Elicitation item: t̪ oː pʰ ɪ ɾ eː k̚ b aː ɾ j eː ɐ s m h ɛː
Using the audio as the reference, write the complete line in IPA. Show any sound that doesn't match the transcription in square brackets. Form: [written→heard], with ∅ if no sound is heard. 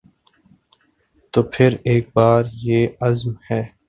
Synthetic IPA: t̪ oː pʰ ɪ ɾ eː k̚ b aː ɾ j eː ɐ [s→z] m h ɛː